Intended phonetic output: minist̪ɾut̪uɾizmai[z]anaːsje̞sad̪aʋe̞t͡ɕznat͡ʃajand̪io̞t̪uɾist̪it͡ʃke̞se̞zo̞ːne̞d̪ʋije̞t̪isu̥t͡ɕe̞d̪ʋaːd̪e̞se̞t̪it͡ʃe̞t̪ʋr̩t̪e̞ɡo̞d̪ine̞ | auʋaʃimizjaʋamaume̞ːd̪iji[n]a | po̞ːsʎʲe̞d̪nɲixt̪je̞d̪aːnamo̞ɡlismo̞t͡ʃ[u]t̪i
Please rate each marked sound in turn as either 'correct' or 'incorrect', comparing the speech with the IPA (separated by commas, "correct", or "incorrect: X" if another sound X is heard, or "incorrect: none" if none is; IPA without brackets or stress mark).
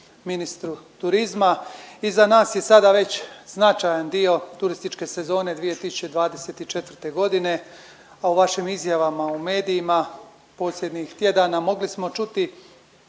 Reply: correct, incorrect: m, correct